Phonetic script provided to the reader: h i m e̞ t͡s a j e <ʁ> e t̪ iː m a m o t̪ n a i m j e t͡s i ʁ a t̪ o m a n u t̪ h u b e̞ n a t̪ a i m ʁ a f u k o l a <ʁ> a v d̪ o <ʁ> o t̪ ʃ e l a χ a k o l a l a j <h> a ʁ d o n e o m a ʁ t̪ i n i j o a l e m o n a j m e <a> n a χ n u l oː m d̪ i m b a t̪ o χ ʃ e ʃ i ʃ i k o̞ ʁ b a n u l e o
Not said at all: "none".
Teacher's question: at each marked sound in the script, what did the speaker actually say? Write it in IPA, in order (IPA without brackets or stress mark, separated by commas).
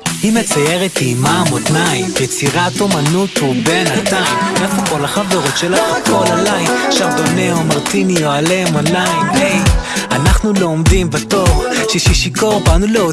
ʁ, χ, ʁ, ʃ, a